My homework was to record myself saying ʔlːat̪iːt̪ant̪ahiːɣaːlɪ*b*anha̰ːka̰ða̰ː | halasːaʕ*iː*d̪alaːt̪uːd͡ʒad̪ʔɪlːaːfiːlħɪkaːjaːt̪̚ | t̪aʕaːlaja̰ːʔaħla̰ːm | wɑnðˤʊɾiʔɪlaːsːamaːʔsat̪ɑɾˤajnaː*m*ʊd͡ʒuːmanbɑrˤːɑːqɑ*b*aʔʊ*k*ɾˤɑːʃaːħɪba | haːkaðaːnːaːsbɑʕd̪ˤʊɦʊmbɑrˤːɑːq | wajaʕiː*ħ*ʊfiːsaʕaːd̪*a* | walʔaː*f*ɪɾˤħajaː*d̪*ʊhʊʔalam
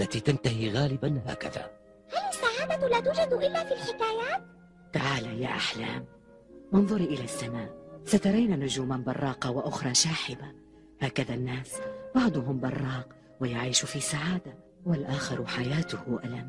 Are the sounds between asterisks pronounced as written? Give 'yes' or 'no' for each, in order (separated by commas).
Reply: yes, no, no, no, no, no, yes, no, no